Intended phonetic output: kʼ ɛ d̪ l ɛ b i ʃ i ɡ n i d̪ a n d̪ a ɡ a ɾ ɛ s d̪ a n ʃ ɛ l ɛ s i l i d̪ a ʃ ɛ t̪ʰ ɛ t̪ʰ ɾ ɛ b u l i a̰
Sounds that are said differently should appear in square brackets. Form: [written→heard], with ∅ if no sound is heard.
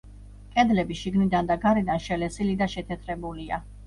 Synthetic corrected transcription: kʼ ɛ d̪ l ɛ b i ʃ i ɡ n i d̪ a n d̪ a ɡ a ɾ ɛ [s→∅] d̪ a n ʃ ɛ l ɛ s i l i d̪ a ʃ ɛ t̪ʰ ɛ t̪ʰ ɾ ɛ b u l i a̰